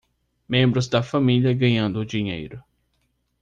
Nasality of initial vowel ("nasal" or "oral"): nasal